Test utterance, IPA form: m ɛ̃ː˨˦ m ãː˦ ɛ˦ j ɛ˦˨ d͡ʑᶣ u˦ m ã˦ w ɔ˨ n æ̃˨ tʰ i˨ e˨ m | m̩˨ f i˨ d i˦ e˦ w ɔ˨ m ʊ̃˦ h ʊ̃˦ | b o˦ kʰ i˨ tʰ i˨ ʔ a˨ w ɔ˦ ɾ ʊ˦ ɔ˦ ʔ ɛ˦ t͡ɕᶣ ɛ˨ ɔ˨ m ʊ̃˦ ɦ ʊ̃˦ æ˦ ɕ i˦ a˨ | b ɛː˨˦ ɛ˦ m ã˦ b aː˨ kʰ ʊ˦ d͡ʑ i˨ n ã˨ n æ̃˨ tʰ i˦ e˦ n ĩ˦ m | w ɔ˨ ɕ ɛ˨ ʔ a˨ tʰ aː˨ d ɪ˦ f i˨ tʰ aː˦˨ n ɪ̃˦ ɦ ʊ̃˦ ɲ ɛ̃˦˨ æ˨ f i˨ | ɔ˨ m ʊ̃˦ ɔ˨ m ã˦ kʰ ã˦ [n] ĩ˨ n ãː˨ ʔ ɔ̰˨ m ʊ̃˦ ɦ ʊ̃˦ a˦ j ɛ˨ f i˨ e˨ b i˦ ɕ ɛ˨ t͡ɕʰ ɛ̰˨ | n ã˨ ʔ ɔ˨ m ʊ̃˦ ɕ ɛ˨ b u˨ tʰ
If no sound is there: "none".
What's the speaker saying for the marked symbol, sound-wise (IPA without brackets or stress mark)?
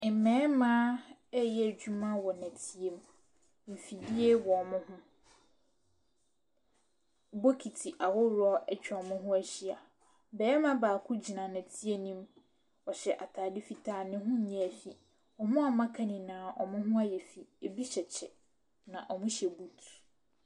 n